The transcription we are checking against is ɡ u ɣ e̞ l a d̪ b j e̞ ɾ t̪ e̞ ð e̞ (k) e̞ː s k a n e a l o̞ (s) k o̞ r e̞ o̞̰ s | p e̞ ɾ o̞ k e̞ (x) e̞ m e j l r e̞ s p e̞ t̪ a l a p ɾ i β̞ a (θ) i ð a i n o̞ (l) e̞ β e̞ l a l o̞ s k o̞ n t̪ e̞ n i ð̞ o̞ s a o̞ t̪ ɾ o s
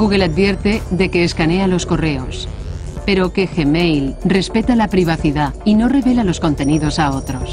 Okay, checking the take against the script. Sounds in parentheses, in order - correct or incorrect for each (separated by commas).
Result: correct, correct, correct, correct, incorrect